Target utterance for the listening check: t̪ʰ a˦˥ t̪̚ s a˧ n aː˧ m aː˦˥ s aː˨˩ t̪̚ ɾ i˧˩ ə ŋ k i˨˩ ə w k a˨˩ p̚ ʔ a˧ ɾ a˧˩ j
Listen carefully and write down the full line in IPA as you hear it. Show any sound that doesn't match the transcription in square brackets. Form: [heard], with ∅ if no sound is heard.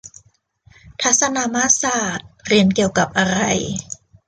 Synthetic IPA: t̪ʰ a˦˥ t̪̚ s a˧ n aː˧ m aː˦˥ s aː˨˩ t̪̚ ɾ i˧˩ ə [n] k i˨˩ ə w k a˨˩ p̚ ʔ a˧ ɾ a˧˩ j